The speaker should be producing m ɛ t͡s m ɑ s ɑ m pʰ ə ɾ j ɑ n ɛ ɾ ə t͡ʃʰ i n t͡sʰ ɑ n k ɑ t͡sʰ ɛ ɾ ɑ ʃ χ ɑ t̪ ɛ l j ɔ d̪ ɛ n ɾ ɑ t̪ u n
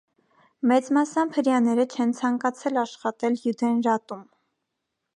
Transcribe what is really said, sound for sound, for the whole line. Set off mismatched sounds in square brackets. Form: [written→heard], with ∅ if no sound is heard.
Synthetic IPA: m ɛ t͡s m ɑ s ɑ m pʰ ə ɾ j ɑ n ɛ ɾ ə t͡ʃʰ [i→ɛ] n t͡sʰ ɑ [n→ŋ] k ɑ t͡sʰ ɛ [ɾ→l] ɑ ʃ χ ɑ t̪ ɛ l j [ɔ→u] d̪ ɛ n ɾ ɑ t̪ u [n→m]